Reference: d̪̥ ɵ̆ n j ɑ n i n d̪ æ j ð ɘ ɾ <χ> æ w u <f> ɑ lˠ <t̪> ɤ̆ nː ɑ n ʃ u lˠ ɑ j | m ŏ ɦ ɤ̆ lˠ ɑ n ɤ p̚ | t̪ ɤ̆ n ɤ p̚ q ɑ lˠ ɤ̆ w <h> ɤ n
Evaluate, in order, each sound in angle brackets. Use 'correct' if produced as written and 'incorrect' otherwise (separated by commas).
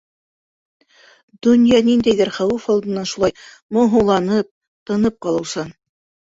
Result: correct, correct, incorrect, incorrect